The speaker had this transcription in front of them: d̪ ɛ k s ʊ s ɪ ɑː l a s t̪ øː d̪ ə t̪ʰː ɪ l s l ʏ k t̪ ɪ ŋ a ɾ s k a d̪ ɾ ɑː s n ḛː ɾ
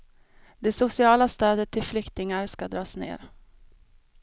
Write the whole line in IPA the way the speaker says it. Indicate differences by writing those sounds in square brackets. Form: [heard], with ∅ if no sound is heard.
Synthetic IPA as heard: d̪ ɛ [∅] s ʊ s ɪ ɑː l a s t̪ øː d̪ ə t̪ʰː ɪ l [f] l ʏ k t̪ ɪ ŋ a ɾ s k a d̪ ɾ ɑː s n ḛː ɾ